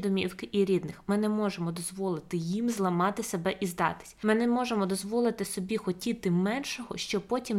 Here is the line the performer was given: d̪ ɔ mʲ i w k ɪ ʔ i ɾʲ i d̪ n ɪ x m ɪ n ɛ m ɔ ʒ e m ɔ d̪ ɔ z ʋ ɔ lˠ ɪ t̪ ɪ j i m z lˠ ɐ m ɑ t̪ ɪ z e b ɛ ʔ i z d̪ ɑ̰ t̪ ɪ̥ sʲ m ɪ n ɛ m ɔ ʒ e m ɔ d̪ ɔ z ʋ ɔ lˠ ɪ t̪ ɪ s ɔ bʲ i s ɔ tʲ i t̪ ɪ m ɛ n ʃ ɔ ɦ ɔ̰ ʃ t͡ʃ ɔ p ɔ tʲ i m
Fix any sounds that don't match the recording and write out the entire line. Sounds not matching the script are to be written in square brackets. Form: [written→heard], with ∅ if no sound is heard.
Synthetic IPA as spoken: d̪ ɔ mʲ i w k ɪ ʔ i ɾʲ i d̪ n ɪ x m ɪ n ɛ m ɔ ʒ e m ɔ d̪ ɔ z ʋ ɔ lˠ ɪ t̪ ɪ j i m z lˠ ɐ m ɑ t̪ ɪ [z→s] e b ɛ ʔ i z d̪ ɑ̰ t̪ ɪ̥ sʲ m ɪ n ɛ m ɔ ʒ e m ɔ d̪ ɔ z ʋ ɔ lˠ ɪ t̪ ɪ s ɔ bʲ i [s→x] ɔ tʲ i t̪ ɪ m ɛ n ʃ ɔ ɦ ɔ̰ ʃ t͡ʃ ɔ p ɔ tʲ i m